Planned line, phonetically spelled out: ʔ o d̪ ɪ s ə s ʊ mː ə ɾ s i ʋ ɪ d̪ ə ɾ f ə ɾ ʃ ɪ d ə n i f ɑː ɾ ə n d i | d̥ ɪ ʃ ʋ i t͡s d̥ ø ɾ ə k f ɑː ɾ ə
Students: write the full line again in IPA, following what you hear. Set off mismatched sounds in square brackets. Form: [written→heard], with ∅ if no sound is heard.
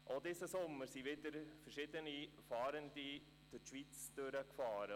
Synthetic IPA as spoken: ʔ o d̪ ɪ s ə s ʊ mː ə ɾ s i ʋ ɪ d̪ ə ɾ f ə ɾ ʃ ɪ d ə n i f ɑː ɾ ə n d i | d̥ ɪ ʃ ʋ i t͡s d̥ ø ɾ ə k f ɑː ɾ ə